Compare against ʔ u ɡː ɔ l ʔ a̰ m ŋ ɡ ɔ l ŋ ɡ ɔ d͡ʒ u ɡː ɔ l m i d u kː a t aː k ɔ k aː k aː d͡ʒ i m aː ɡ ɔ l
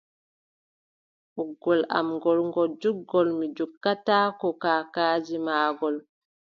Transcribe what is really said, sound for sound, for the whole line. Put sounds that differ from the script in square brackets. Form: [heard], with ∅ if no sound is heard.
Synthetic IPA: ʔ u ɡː ɔ l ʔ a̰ m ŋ ɡ ɔ l ŋ ɡ ɔ d͡ʒ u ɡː ɔ l m i [d͡ʒ] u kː a t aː k ɔ k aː k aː d͡ʒ i m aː ɡ ɔ l